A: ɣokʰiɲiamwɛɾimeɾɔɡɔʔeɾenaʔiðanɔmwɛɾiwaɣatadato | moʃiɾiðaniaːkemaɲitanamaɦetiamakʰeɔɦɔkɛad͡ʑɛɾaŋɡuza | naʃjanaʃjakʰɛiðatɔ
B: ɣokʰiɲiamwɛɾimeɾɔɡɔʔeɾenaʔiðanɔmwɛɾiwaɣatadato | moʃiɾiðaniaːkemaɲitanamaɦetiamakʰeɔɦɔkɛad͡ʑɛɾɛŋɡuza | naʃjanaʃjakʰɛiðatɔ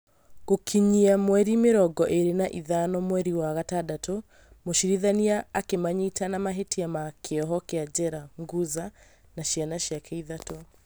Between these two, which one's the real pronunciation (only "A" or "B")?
A